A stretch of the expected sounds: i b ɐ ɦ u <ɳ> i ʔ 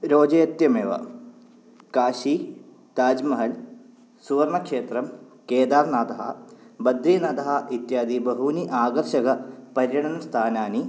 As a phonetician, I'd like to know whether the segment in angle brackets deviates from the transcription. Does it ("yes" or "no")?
yes